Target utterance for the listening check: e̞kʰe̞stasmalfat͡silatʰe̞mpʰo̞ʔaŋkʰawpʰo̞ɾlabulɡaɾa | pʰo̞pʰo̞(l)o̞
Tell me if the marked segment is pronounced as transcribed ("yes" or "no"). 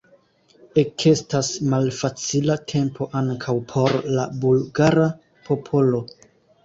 yes